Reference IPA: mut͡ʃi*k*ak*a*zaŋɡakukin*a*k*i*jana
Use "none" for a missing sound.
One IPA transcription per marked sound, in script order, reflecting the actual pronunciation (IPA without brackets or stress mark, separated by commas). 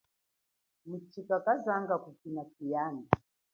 k, a, a, i